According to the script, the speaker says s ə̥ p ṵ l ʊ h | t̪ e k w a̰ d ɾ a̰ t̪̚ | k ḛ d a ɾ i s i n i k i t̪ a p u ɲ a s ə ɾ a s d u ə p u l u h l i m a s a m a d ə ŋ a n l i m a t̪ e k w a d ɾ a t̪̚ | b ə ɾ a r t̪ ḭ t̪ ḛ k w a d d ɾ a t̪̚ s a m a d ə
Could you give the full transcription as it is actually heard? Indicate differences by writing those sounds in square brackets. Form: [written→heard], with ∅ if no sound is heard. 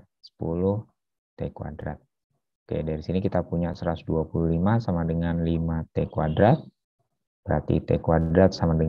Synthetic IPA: s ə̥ p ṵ l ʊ h | t̪ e k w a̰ d ɾ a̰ t̪̚ | k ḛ d a ɾ i s i n i k i t̪ a p u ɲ a s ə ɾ a s d u [ə→a] p u l u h l i m a s a m a d ə ŋ a n l i m a t̪ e k w a d ɾ a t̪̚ | b ə ɾ a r t̪ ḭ t̪ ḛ k w a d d ɾ a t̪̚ s a m a d ə

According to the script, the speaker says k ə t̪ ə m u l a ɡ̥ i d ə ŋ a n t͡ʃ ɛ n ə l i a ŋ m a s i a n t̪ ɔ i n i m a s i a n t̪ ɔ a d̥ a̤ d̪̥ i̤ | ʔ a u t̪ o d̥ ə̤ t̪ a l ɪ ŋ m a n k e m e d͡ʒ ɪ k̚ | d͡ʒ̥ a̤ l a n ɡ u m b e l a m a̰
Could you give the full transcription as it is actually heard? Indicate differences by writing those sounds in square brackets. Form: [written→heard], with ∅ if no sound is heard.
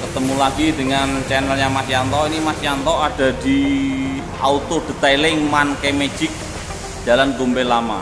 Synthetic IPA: k ə t̪ ə m u l a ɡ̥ i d ə ŋ a n t͡ʃ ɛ n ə l [i→j] a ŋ m a s i a n t̪ ɔ i n i m a s i a n t̪ ɔ a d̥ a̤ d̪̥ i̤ | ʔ a u t̪ o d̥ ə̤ t̪ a l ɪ ŋ m a n k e m e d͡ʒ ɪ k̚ | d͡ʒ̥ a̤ l a n ɡ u m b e l a m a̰

